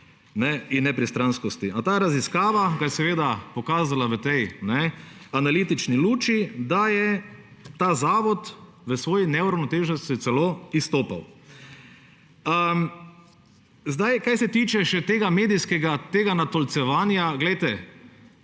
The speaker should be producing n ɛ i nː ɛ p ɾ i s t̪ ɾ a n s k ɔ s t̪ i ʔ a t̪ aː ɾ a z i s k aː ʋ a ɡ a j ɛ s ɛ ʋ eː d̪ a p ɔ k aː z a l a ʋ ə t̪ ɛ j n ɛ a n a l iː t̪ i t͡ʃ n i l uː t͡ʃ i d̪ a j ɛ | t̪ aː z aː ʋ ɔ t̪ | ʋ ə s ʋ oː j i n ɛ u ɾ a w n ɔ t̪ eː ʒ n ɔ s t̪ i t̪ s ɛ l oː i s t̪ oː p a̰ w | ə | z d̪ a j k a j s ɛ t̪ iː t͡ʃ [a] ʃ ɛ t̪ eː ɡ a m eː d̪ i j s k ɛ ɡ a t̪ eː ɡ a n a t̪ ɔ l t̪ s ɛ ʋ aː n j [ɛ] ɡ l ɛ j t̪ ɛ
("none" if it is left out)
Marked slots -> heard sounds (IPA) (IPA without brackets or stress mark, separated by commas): ɛ, a